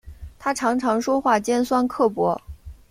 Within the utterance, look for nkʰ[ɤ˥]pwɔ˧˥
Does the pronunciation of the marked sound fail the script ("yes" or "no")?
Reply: yes